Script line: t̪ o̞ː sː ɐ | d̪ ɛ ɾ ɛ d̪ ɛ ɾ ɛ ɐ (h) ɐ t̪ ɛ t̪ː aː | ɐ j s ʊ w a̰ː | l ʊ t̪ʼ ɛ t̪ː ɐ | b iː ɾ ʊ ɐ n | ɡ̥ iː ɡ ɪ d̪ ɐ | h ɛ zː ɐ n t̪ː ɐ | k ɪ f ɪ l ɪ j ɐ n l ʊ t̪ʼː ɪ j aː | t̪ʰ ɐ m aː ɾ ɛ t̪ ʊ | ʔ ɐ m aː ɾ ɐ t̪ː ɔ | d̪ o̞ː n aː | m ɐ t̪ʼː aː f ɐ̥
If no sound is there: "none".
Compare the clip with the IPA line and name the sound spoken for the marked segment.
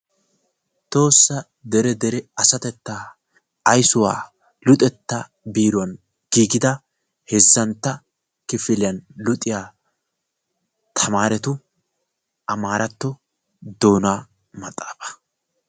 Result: s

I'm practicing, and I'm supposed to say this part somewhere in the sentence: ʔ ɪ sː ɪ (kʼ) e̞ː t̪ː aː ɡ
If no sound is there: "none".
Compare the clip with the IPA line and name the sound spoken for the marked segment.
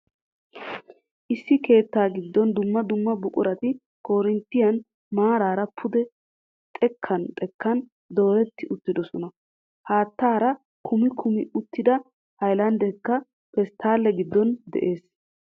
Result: k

